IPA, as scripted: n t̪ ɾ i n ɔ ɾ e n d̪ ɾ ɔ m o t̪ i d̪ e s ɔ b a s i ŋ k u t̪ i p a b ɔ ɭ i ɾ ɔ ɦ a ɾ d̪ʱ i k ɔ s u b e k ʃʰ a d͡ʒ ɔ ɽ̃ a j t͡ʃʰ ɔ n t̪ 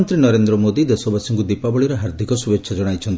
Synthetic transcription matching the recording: n t̪ ɾ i n ɔ ɾ e n d̪ ɾ ɔ m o d̪ i d̪ e s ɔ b a s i ŋ k u d̪ i p a b ɔ ɭ i ɾ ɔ ɦ a ɾ d̪ʱ i k ɔ s u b e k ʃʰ a d͡ʒ ɔ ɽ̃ a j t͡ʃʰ ɔ n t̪